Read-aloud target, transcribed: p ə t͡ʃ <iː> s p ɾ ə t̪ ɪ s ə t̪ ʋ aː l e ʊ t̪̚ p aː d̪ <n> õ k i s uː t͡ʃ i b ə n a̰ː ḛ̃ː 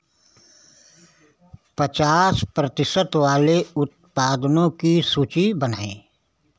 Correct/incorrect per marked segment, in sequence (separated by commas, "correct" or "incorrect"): incorrect, correct